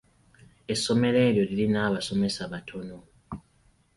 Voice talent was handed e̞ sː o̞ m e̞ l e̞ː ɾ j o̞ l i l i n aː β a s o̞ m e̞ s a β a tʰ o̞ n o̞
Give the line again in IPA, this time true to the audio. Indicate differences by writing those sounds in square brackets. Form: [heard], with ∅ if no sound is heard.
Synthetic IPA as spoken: e̞ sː o̞ m e̞ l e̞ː ɾ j o̞ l i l i n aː β a s o̞ m e̞ s a β a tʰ o̞ n o̞